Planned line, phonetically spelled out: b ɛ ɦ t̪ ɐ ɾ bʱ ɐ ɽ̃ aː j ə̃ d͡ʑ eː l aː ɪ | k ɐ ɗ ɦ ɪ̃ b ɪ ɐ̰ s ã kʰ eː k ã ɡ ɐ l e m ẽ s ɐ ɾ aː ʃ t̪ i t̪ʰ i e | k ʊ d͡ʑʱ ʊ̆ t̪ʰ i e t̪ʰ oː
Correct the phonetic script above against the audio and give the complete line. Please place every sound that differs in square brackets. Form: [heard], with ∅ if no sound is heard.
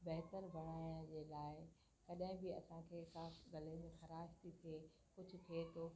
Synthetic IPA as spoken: b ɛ ɦ t̪ [ə] ɾ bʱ ɐ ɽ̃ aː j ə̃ d͡ʑ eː l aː ɪ | k ɐ ɗ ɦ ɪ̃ b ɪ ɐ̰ s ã kʰ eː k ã ɡ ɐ l e m ẽ [x] ɐ ɾ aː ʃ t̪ i t̪ʰ i e | k ʊ d͡ʑʱ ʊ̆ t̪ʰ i e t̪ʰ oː